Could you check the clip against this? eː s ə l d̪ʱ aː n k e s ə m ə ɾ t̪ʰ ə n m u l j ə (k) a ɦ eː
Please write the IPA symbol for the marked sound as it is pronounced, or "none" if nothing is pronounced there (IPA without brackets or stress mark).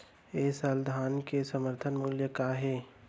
k